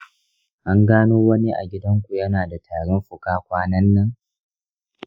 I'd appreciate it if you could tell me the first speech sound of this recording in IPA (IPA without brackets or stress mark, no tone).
ʔ